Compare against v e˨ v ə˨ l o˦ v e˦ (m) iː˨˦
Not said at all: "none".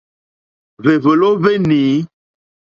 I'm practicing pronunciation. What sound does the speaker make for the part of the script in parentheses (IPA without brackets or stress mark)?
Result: n